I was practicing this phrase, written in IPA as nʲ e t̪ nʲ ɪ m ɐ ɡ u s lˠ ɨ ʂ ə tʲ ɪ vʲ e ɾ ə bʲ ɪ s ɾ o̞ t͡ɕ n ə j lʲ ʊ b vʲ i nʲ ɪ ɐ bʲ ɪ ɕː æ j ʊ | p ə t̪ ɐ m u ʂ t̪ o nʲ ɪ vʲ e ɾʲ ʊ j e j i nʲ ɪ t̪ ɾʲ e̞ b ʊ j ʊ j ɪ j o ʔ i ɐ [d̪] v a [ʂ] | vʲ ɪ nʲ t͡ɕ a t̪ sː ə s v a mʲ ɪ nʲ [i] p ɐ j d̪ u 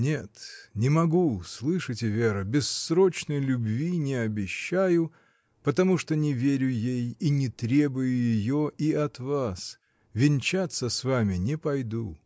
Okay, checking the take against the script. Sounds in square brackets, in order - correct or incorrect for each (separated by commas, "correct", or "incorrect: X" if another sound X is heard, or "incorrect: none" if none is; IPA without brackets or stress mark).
incorrect: t̪, incorrect: s, incorrect: ɪ